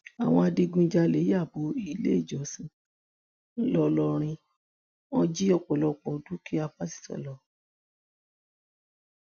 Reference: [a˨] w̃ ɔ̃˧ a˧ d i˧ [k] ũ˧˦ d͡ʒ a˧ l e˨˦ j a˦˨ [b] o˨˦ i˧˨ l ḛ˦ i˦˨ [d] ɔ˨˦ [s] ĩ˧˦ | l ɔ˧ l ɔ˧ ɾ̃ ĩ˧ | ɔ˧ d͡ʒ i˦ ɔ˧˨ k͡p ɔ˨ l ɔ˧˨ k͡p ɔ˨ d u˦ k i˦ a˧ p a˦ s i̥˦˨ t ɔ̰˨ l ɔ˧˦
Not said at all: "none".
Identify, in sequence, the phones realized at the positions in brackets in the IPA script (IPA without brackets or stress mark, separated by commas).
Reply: a˨, ɡ, b, d͡ʒ, s